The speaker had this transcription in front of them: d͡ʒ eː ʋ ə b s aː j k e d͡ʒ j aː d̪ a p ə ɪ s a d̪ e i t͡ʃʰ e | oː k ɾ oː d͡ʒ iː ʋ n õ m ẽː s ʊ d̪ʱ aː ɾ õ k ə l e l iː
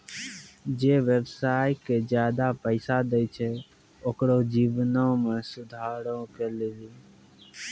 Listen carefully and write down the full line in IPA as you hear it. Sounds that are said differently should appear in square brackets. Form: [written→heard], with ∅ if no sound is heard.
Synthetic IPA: d͡ʒ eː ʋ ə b s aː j k e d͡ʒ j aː d̪ a p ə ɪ s a d̪ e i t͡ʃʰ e | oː k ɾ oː d͡ʒ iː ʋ n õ m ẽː s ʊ d̪ʱ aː ɾ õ k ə l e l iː